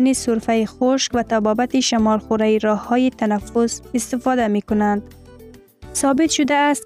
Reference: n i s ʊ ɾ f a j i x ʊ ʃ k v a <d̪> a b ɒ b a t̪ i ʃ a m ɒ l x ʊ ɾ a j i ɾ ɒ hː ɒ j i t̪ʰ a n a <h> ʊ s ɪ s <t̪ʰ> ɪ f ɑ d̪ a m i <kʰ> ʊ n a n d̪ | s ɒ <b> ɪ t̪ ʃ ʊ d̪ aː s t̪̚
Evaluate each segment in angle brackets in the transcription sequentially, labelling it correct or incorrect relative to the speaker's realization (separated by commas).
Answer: incorrect, incorrect, incorrect, incorrect, correct